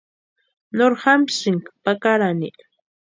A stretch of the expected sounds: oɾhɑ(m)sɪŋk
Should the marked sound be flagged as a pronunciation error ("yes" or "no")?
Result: no